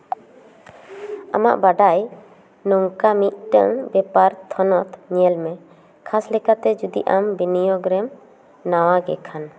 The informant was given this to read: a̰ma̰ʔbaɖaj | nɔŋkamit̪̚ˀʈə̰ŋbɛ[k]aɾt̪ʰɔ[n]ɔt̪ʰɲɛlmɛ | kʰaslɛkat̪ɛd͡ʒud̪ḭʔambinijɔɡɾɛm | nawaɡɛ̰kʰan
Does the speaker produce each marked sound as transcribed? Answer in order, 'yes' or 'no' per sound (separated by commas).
no, yes